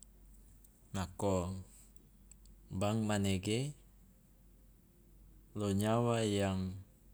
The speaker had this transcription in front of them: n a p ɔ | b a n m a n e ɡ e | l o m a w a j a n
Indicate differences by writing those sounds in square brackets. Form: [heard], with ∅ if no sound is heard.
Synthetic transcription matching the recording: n a [k] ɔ | b a [ŋ] m a n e ɡ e | l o [ɲ] a w a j a [ŋ]